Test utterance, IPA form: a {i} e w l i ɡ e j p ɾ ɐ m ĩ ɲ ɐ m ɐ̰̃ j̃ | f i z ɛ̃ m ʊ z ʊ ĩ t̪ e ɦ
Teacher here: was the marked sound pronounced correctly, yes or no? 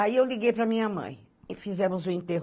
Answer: yes